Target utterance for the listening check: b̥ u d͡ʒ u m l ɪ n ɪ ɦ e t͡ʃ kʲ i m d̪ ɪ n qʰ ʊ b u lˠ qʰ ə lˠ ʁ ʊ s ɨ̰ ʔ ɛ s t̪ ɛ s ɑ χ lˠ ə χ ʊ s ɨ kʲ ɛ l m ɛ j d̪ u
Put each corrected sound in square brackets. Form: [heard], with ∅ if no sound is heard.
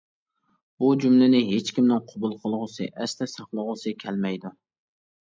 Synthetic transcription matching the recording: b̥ u d͡ʒ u m l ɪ n ɪ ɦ e t͡ʃ kʲ i m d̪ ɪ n qʰ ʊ b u lˠ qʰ ə lˠ ʁ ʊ s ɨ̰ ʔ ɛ s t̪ ɛ s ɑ χ lˠ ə [ʁ] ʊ s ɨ [kʲʰ] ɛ l m ɛ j d̪ u